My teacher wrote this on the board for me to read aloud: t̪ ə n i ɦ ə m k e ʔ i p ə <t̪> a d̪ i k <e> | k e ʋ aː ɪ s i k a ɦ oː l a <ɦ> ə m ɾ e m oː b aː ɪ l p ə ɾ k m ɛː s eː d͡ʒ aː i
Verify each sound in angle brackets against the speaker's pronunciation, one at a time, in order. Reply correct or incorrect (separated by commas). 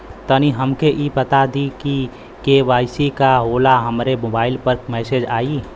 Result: correct, incorrect, correct